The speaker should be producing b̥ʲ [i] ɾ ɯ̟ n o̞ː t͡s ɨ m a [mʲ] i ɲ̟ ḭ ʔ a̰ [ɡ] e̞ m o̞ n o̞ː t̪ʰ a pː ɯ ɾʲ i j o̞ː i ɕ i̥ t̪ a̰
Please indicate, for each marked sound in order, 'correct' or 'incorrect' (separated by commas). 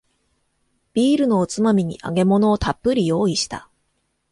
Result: incorrect, correct, correct